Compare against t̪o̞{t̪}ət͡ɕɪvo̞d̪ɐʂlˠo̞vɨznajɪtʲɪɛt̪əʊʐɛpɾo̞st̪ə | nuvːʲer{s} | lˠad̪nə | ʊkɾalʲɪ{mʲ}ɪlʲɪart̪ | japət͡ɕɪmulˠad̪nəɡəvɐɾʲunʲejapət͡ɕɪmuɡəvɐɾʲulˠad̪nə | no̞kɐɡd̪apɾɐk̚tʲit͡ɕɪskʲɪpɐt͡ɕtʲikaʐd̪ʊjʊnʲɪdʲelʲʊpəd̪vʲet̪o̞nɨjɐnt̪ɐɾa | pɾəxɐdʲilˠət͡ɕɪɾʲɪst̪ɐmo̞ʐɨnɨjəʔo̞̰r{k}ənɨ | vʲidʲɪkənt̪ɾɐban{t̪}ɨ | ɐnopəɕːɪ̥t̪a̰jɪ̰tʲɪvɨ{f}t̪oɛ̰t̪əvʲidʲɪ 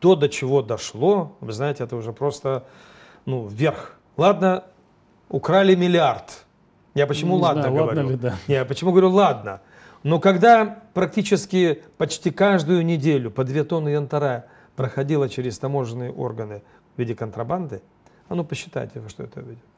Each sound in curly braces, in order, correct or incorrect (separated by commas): incorrect, incorrect, correct, incorrect, incorrect, incorrect